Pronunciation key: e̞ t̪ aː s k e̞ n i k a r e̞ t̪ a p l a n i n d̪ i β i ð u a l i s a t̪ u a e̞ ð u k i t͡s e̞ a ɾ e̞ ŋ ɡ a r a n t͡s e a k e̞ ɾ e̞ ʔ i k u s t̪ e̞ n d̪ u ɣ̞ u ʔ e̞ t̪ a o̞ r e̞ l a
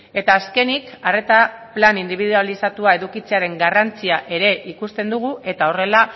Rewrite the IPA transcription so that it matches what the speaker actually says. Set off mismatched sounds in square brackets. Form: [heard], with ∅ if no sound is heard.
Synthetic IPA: e̞ t̪ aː s k e̞ n i k a r e̞ t̪ a p l a n i n d̪ i β i ð u a l i s a t̪ u a e̞ ð u k i t͡s e̞ a ɾ e̞ ŋ ɡ a r a n t͡s [i] a [ʔ] e̞ ɾ e̞ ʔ i k u s t̪ e̞ n d̪ u ɣ̞ u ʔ e̞ t̪ a o̞ r e̞ l a